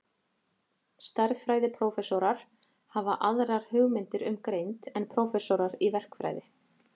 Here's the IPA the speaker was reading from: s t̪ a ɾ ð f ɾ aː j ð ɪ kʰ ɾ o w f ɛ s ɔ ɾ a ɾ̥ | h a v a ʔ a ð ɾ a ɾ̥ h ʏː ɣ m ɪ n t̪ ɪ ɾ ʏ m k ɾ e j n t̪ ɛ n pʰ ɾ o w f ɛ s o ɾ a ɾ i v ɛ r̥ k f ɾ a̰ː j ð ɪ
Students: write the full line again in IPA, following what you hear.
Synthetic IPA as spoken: s t̪ a ɾ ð f ɾ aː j ð ɪ pʰ ɾ o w f ɛ s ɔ ɾ a ɾ̥ | h a v a ʔ a ð ɾ a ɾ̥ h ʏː ɣ m ɪ n t̪ ɪ ɾ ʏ m k ɾ e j n t̪ ɛ n pʰ ɾ o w f ɛ s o ɾ a ɾ i v ɛ r̥ k f ɾ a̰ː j ð ɪ